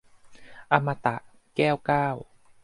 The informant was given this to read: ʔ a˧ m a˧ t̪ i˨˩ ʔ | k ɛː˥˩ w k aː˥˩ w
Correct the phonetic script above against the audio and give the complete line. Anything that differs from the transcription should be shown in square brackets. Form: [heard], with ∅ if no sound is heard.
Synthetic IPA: ʔ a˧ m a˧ t̪ [a˨˩] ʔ | k ɛː˥˩ w k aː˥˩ w